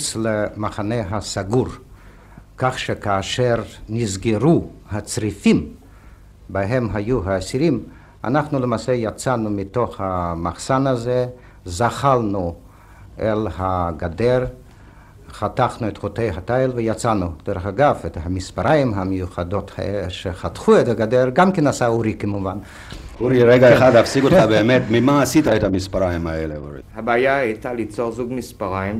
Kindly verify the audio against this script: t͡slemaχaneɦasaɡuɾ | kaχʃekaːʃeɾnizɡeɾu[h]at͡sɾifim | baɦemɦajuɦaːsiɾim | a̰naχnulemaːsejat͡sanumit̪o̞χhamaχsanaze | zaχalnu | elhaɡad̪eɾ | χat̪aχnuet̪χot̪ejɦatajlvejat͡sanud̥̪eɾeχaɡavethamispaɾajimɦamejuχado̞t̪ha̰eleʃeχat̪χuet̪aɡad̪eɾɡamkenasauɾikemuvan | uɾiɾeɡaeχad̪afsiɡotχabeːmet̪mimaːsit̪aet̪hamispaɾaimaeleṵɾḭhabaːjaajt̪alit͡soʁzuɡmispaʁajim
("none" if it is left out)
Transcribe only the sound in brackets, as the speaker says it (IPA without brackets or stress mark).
h